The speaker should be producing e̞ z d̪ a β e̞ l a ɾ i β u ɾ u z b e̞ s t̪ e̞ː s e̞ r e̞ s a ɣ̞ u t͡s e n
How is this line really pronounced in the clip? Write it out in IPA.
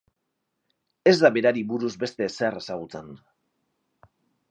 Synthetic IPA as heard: e̞ z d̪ a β e̞ ɾ a ɾ i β u ɾ u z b e̞ s t̪ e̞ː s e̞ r e̞ s a ɣ̞ u t͡s e n